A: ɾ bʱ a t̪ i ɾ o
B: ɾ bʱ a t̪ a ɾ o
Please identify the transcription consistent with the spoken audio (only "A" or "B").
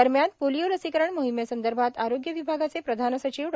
B